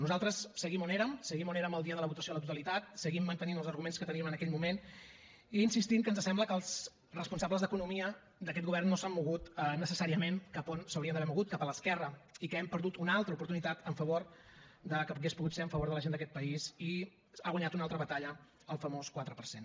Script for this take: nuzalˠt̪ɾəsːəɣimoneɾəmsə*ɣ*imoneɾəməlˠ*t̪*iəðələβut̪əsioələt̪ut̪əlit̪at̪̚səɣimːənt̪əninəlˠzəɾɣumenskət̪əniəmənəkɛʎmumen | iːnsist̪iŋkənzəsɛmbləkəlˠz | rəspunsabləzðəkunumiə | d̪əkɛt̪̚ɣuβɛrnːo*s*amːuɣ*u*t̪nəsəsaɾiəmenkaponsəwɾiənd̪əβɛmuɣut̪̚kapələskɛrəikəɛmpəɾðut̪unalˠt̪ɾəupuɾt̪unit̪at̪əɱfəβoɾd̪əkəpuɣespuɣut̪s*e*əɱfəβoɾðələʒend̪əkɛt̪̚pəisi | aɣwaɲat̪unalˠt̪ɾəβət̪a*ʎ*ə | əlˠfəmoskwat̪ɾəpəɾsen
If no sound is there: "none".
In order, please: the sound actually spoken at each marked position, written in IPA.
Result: ɣ, d̪, s, u, e, ʎ

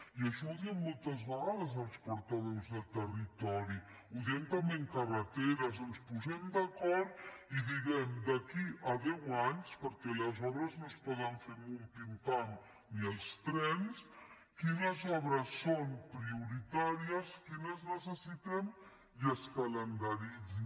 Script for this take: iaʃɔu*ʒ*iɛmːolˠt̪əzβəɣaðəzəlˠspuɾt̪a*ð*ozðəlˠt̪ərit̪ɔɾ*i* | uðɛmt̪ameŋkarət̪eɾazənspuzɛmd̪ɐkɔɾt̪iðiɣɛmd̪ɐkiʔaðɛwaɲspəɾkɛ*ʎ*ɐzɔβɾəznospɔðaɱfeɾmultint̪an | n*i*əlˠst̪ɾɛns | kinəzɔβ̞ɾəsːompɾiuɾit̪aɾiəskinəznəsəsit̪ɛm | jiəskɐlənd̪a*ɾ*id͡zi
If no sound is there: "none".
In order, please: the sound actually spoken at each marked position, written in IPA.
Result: ð, ð, i, l, i, ɾ

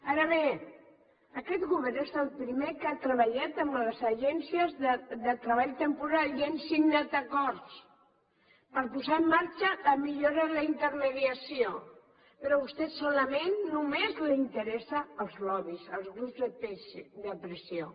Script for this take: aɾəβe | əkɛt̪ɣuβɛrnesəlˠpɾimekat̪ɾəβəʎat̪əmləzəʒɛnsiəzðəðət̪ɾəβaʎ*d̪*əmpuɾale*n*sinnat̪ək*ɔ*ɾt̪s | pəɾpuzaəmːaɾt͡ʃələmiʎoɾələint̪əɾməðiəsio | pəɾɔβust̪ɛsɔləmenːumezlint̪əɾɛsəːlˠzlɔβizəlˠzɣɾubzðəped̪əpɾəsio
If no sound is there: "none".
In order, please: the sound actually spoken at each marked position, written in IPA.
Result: t̪, n, ɔ

